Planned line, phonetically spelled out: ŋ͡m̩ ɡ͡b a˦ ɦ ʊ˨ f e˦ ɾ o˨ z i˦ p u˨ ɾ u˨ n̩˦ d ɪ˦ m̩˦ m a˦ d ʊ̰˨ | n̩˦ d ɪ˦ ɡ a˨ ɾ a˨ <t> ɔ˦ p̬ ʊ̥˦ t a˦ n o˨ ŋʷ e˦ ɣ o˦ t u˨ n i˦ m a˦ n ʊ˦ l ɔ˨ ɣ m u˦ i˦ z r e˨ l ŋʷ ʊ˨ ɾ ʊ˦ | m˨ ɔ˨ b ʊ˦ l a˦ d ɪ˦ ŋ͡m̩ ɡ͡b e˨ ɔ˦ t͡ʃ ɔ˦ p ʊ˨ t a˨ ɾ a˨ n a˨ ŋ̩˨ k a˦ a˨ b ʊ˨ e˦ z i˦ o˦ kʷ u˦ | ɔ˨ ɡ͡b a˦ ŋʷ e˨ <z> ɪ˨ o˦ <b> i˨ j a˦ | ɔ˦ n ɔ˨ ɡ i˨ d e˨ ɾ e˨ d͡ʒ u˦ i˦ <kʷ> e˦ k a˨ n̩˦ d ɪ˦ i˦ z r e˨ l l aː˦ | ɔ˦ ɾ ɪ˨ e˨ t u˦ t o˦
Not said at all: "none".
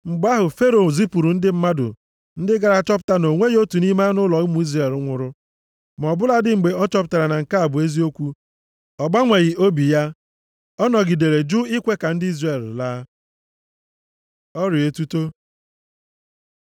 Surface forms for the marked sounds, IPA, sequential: t͡ʃ, ɣ, b, kʷ

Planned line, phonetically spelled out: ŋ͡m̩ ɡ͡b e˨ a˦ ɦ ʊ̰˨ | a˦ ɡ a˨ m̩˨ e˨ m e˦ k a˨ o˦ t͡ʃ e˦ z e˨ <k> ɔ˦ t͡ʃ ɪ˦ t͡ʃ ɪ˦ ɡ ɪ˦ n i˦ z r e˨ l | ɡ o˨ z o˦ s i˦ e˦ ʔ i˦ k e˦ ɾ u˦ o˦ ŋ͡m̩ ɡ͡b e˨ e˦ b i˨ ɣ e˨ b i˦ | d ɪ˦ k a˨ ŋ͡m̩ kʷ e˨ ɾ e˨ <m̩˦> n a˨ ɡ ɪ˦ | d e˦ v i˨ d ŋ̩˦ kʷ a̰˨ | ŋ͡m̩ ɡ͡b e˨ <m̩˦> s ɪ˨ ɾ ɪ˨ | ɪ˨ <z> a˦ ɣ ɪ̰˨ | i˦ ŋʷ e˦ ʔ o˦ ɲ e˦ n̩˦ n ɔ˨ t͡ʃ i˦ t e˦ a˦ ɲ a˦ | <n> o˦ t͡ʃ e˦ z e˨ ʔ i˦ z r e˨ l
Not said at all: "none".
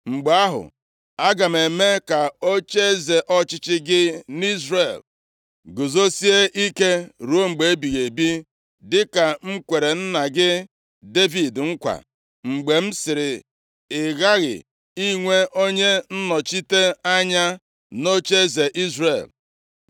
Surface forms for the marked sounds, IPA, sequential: ʔ, n̩˦, m̩˦, ɣ, n

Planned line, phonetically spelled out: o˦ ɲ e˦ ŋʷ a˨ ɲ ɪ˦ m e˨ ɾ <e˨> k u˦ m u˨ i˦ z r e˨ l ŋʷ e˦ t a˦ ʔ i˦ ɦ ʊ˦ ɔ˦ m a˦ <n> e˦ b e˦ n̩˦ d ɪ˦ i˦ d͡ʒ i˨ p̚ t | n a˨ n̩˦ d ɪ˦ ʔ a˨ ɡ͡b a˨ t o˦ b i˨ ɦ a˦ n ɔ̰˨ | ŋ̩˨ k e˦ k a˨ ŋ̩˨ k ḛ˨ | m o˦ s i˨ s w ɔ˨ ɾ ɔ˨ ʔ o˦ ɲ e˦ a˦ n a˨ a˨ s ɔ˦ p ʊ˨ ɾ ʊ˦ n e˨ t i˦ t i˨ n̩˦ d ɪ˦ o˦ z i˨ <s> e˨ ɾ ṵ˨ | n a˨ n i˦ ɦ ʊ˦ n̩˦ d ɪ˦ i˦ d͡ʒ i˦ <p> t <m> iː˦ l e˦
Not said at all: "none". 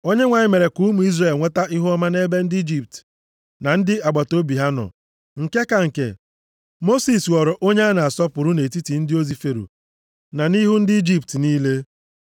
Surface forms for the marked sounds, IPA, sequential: e˨, n, f, p, n

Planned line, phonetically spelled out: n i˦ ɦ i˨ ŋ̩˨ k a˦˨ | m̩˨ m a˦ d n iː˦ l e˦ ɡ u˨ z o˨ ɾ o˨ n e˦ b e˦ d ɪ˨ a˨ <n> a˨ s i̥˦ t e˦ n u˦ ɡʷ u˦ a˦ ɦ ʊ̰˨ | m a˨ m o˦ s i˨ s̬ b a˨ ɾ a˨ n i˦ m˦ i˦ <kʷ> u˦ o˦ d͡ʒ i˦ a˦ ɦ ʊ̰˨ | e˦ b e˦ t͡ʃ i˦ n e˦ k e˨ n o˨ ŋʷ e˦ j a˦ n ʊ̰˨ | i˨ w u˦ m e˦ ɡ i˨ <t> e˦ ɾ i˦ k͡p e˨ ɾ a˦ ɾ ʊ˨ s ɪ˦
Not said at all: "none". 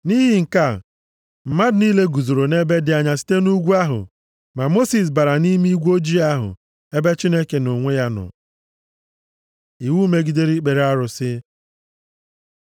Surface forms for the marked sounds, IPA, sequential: ɲ, ɡʷ, d

